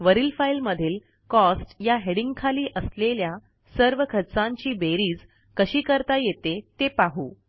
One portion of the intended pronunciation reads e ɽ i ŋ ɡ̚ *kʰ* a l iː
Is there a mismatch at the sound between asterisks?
no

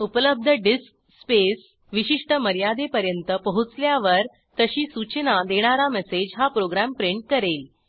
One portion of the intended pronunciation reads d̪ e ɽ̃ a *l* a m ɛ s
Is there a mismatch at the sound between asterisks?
yes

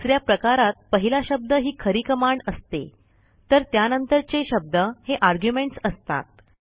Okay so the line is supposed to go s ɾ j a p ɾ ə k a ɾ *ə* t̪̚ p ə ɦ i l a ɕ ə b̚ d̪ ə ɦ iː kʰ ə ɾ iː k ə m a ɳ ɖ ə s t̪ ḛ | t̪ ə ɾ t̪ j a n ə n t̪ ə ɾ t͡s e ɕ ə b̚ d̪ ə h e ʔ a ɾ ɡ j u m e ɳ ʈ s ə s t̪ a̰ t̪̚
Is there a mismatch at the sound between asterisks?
yes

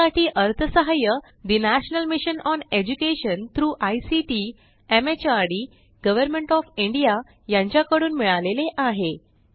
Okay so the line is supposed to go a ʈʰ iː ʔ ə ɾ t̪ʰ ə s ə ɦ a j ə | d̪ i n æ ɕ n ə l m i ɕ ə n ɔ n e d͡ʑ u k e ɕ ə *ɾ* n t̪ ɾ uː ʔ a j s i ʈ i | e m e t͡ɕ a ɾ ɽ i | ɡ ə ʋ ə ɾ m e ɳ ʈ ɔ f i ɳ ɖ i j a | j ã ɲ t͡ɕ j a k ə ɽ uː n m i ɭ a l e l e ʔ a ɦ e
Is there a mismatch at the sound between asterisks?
yes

